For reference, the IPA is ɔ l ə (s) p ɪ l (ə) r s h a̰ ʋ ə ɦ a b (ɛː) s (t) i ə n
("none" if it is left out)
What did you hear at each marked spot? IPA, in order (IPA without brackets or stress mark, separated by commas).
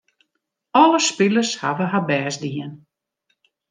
s, ə, ɛː, d